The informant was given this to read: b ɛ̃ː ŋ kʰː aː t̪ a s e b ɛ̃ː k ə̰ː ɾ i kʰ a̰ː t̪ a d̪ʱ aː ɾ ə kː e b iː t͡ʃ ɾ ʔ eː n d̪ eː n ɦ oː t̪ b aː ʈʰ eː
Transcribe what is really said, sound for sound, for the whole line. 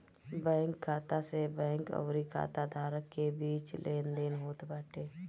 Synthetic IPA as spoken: b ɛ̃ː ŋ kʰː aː t̪ a s e b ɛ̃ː k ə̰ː ɾ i kʰ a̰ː t̪ a d̪ʱ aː ɾ ə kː e b iː t͡ʃ l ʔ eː n d̪ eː n ɦ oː t̪ b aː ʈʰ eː